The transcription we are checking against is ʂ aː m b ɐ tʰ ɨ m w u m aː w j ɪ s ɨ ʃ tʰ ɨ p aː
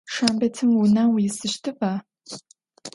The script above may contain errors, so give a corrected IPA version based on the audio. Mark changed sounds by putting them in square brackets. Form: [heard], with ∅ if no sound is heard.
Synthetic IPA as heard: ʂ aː m b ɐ tʰ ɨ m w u [n] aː w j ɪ s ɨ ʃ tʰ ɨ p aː